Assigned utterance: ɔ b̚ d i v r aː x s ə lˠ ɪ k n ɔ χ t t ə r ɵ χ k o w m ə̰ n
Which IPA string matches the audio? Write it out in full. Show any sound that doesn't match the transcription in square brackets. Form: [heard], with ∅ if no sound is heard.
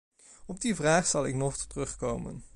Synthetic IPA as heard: ɔ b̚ d i v r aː [χ] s [ɑ] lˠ ɪ k n ɔ χ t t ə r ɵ χ k o w m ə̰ n